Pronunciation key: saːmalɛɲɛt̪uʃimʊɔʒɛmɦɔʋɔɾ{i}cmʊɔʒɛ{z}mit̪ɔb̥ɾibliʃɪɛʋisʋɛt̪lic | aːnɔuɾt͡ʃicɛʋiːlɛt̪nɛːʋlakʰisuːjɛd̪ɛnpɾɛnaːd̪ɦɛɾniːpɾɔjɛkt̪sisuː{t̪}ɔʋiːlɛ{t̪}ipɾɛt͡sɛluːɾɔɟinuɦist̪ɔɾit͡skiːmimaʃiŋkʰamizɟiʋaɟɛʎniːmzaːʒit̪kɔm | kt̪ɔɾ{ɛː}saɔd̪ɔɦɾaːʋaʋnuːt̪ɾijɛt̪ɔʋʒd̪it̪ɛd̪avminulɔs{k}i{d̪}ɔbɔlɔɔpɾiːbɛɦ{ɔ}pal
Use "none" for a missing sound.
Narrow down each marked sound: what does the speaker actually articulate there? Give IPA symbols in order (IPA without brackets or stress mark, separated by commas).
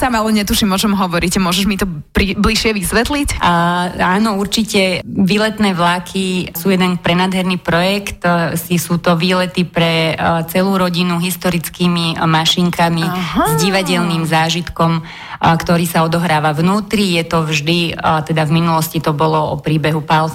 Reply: i, ʒ, t̪, t̪, iː, c, t̪, u